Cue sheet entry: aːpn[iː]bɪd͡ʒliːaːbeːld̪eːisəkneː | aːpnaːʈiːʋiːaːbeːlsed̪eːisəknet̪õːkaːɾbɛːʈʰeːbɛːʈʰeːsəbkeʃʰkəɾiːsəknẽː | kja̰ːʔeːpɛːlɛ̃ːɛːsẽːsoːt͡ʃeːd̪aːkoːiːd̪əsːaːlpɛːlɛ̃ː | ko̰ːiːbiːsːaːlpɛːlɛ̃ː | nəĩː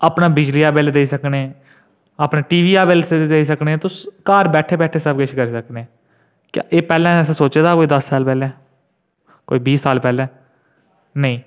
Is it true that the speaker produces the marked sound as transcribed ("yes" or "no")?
no